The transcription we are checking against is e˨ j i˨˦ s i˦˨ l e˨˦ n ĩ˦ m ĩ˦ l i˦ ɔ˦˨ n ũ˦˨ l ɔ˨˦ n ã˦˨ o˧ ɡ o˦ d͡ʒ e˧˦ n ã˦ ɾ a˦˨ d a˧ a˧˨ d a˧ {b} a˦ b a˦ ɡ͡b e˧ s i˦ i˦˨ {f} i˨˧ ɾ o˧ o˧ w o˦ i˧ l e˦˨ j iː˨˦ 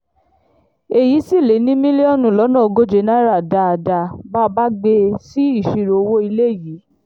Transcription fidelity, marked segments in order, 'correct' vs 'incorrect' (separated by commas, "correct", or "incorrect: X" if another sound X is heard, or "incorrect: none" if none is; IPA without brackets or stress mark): correct, incorrect: ʃ